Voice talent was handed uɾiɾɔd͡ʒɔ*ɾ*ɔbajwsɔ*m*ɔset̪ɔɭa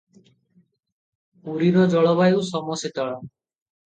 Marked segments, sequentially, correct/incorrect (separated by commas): incorrect, correct